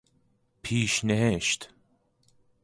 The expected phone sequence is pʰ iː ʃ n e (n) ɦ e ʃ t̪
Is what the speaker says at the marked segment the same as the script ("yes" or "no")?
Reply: no